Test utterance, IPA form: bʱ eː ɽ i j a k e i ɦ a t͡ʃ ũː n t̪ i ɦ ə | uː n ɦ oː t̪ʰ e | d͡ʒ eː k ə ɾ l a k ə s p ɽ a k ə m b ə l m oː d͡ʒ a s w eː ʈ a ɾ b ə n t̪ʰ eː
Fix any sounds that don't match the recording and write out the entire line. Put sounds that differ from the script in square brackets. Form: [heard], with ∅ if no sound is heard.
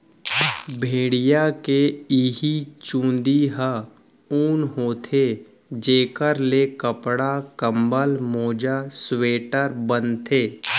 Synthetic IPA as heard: bʱ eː ɽ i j a k e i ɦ [i] t͡ʃ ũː n [d̪] i ɦ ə | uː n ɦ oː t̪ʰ e | d͡ʒ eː k ə ɾ l [e] k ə [∅] p ɽ a k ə m b ə l m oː d͡ʒ a s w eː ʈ [ə] ɾ b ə n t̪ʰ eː

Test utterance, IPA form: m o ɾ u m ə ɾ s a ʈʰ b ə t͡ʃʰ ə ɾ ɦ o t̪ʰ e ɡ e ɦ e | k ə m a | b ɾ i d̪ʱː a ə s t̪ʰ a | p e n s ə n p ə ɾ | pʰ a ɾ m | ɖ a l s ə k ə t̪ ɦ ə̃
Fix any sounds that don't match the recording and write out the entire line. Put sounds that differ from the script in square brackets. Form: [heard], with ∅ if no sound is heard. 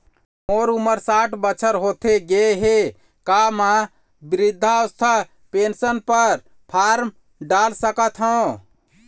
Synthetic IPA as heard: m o ɾ u m ə ɾ s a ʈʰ b ə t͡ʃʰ ə ɾ ɦ o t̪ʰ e ɡ e ɦ e | k [a] m a | b ɾ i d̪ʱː a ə s t̪ʰ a | p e n s ə n p ə ɾ | pʰ a ɾ m | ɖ a l s ə k ə t̪ ɦ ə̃

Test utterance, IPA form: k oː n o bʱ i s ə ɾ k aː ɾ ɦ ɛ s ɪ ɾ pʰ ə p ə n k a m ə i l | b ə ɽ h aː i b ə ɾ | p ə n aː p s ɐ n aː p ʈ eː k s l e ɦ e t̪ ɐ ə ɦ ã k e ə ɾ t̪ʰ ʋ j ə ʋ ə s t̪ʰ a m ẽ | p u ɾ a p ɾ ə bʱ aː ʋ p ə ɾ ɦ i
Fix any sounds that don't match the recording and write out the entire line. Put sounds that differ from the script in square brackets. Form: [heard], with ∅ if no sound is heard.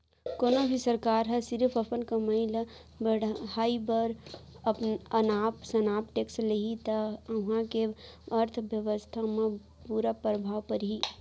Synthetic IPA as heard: k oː n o bʱ i s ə ɾ k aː ɾ ɦ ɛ s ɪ ɾ pʰ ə p ə n k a m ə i l | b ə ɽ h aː i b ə ɾ | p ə n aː p s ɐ n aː p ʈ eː k s l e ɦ [i] t̪ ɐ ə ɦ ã k e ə ɾ t̪ʰ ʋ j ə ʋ ə s t̪ʰ a m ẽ | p u ɾ a p ɾ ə bʱ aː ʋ p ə ɾ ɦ i

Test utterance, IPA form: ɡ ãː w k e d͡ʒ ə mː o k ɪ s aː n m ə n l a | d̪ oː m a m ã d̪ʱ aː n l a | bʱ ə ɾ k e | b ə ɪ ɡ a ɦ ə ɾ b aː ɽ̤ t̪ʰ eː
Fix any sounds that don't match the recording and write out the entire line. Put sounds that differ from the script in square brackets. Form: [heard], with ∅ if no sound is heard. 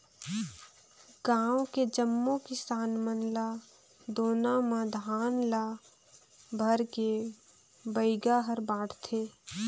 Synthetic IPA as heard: ɡ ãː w k e d͡ʒ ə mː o k ɪ s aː n m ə n l a | d̪ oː [n] a m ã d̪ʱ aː n l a | bʱ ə ɾ k e | b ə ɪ ɡ a ɦ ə ɾ b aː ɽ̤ t̪ʰ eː

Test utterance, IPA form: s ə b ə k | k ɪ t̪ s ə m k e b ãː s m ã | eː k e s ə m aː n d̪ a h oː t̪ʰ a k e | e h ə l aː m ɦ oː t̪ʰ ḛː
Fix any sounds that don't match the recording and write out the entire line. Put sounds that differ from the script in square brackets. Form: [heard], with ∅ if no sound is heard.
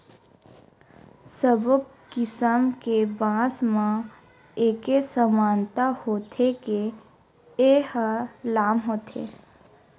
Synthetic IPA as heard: s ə b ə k | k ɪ [∅] s ə m k e b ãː s m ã | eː k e s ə m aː n [t̪] a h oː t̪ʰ [e] k e | e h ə l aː m ɦ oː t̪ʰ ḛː

